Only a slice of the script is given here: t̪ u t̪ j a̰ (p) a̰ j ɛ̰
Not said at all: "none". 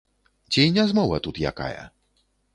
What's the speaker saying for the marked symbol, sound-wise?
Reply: k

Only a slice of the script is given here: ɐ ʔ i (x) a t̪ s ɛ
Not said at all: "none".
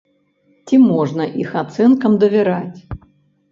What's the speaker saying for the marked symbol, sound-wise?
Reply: x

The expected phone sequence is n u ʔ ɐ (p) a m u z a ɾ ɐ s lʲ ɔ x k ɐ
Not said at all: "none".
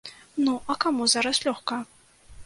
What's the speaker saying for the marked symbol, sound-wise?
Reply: k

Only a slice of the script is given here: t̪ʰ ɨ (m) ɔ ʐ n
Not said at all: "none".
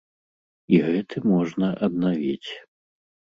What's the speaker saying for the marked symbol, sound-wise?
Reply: m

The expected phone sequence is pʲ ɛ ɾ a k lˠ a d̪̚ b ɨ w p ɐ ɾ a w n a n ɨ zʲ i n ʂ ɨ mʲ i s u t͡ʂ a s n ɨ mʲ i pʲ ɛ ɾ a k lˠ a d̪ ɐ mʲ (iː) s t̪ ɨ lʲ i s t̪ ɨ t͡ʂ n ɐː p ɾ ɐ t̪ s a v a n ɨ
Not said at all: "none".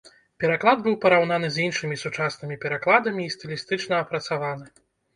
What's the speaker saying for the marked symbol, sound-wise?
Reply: iː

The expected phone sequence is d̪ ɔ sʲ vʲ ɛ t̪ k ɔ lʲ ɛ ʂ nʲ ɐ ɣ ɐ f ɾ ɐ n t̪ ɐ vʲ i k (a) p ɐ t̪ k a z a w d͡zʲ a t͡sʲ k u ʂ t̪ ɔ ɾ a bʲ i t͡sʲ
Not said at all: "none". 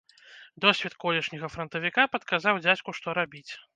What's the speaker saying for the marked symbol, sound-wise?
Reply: a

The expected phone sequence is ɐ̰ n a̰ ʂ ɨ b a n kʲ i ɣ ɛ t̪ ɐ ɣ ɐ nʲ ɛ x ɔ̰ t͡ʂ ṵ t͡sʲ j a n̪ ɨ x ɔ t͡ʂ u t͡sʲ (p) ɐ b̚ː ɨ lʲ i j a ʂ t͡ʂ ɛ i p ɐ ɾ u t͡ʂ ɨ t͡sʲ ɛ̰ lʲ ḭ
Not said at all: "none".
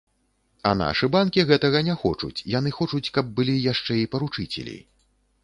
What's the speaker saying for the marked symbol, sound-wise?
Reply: k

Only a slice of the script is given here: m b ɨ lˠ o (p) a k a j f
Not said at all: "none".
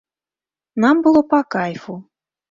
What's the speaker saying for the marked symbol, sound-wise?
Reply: p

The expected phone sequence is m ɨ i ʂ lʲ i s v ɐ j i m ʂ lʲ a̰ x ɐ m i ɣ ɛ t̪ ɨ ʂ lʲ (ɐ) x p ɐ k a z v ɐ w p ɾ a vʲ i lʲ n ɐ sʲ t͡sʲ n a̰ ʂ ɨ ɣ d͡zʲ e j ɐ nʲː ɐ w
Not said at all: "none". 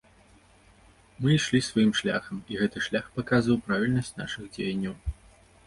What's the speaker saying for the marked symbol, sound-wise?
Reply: a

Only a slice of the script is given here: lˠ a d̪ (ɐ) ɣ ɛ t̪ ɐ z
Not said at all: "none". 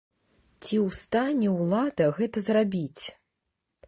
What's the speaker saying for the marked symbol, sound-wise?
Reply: ɐ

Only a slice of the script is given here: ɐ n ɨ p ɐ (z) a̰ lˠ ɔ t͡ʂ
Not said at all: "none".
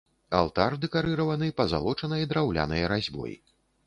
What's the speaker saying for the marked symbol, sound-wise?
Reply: z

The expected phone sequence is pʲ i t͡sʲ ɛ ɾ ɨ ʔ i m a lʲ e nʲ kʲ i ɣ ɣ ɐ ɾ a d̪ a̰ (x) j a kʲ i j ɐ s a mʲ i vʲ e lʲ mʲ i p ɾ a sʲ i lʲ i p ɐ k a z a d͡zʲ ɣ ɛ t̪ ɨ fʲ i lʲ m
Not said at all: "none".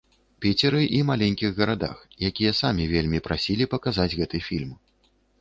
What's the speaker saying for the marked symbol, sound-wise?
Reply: x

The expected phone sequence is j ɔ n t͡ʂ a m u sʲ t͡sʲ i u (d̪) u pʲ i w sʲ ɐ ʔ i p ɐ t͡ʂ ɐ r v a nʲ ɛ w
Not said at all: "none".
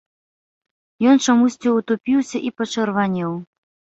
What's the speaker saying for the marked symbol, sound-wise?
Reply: t̪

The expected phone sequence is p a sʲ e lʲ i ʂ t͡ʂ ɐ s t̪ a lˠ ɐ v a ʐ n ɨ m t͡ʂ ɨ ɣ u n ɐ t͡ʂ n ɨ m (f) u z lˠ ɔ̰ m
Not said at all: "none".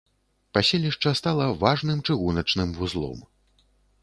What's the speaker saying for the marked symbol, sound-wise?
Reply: v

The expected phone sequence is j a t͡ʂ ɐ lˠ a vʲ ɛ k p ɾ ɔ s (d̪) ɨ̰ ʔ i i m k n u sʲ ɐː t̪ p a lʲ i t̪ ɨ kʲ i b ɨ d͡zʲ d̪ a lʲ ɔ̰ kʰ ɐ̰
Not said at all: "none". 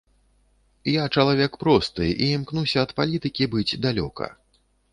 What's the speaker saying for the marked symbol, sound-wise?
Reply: t̪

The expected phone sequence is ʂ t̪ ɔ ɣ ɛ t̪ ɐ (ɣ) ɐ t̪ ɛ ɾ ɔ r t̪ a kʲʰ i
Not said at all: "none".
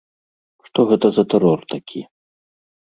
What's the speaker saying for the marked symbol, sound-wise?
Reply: z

